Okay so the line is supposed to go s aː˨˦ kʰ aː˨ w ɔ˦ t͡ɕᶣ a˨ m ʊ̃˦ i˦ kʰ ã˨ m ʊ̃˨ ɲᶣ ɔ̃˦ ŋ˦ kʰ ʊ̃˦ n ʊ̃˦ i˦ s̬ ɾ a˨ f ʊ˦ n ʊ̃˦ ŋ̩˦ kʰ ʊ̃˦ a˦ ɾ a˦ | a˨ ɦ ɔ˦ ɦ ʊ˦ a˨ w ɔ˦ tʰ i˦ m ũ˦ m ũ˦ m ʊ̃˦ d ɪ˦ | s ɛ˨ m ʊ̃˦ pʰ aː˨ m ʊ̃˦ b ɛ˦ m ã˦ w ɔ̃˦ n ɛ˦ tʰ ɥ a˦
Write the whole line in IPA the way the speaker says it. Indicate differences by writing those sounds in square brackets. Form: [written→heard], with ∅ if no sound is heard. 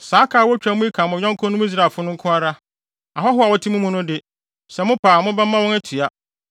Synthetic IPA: s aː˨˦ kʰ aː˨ w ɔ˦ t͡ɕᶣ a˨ m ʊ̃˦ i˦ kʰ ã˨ m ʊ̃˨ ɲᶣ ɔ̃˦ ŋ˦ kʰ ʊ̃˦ n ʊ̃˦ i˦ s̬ ɾ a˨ f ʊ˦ n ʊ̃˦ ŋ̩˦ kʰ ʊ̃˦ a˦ ɾ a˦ | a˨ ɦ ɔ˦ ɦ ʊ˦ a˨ w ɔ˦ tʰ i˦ m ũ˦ m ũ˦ [m→n] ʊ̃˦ d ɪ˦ | s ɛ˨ m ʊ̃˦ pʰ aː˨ m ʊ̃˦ b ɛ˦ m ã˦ w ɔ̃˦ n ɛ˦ tʰ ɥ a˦

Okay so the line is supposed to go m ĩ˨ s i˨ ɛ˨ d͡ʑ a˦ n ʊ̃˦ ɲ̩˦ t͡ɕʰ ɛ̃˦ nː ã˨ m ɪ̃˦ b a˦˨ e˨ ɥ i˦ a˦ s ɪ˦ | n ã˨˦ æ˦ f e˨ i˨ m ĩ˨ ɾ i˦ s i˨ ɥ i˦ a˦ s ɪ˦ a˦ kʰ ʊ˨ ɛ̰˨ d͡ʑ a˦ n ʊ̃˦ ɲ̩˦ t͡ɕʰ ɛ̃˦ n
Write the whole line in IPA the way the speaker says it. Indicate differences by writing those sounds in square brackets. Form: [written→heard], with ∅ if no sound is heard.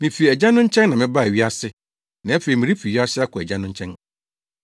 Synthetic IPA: m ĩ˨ [s→f] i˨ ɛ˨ d͡ʑ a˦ n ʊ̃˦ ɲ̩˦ t͡ɕʰ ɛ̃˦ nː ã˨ m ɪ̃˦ b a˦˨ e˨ ɥ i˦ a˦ s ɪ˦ | n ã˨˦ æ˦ f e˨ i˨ m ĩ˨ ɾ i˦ [s→f] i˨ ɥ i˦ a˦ s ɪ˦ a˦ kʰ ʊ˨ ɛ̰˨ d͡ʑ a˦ n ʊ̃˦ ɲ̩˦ t͡ɕʰ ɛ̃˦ n

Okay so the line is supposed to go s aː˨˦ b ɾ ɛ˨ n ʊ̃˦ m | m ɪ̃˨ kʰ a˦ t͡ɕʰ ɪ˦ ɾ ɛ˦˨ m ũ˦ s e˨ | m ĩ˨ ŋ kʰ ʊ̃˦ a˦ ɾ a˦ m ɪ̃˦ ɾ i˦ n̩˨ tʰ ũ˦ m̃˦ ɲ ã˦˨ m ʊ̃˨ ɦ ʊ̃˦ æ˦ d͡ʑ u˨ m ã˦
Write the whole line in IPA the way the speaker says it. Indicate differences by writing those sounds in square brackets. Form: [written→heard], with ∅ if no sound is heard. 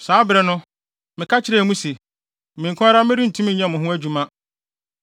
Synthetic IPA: s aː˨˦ b ɾ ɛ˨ n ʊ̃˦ [m→∅] | m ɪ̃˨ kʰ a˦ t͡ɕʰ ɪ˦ ɾ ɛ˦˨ m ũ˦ s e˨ | m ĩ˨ ŋ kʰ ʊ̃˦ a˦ ɾ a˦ m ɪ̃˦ ɾ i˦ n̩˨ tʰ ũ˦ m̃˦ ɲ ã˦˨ m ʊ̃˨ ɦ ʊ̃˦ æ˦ d͡ʑ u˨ m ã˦

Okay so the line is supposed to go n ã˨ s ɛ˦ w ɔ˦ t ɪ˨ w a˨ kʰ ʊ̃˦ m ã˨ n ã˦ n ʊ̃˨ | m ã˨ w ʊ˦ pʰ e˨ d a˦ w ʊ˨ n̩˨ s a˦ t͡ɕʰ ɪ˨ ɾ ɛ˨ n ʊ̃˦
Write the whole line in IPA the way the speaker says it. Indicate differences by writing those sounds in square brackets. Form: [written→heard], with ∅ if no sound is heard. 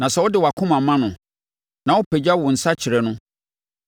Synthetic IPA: n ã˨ s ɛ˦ w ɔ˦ [t→d] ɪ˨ w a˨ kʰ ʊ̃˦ m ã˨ [n→m] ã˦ n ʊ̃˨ | [m→n] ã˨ w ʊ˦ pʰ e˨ [d→d͡ʑ] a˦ w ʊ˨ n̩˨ s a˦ t͡ɕʰ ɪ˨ ɾ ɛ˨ n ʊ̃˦

